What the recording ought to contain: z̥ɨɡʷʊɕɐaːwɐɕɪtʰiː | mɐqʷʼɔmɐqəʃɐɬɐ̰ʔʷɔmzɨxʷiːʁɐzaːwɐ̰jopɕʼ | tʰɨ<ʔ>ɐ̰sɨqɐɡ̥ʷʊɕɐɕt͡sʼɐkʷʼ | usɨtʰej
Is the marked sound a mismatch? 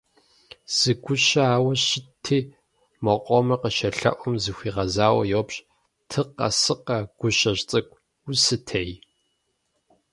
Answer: yes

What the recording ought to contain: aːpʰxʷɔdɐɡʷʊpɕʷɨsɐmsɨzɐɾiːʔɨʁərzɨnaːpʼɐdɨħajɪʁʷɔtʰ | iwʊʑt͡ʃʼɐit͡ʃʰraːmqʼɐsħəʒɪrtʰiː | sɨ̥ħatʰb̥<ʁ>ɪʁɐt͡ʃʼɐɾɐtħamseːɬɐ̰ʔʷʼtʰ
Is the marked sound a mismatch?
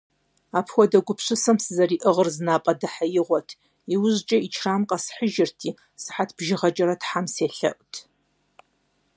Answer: yes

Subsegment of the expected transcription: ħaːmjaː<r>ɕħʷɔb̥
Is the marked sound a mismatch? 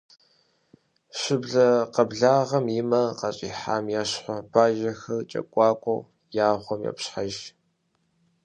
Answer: yes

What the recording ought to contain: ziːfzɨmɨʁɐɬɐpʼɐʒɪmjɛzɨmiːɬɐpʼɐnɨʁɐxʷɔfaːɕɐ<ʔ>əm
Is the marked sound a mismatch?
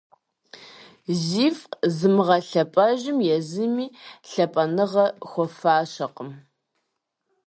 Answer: yes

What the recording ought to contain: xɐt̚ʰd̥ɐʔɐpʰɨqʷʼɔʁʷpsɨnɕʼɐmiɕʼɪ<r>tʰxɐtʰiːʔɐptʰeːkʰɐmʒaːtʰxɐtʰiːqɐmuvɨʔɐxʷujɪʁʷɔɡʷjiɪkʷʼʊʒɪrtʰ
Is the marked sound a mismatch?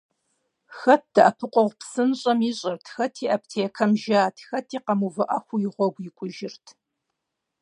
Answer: no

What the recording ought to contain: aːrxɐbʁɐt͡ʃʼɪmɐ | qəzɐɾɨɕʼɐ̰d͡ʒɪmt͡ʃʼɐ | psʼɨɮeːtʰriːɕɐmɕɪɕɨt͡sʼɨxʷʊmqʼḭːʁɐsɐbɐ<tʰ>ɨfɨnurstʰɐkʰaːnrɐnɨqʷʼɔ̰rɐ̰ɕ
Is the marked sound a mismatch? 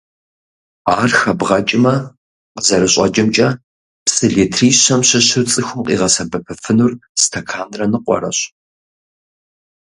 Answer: yes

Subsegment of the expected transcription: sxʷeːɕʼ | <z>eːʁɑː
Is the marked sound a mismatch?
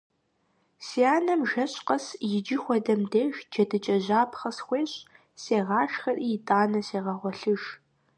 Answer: yes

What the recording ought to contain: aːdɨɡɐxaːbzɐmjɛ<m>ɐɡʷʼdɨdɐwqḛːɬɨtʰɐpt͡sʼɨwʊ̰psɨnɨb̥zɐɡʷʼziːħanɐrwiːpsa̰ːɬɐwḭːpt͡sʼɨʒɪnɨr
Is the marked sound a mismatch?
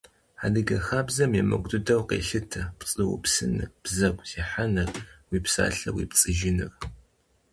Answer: no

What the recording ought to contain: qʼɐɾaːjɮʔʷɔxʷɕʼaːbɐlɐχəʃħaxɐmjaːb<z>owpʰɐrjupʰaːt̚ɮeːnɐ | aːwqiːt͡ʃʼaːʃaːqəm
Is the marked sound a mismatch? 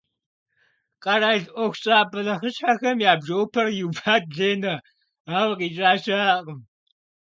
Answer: yes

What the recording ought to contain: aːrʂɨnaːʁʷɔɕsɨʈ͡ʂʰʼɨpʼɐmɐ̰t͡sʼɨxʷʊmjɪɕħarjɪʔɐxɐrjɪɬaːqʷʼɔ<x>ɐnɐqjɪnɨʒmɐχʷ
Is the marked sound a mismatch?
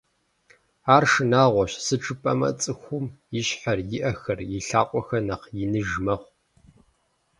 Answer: no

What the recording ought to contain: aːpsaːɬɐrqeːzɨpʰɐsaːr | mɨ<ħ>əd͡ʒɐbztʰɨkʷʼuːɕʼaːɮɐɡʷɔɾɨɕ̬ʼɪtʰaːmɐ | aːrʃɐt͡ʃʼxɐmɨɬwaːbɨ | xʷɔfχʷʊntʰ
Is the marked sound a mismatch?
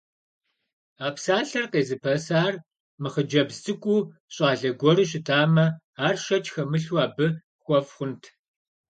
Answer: yes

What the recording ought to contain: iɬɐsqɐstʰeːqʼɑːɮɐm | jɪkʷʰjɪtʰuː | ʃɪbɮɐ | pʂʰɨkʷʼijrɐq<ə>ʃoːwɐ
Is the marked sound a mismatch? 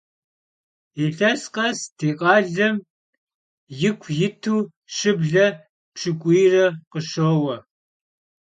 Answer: no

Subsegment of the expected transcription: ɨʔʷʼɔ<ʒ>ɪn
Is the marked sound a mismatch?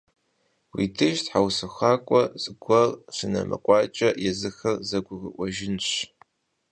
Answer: no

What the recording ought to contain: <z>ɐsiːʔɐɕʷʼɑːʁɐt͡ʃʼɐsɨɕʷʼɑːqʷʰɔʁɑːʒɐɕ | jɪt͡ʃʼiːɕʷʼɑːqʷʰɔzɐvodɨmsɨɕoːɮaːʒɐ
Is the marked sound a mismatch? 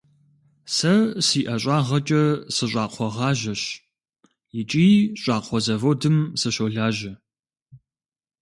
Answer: yes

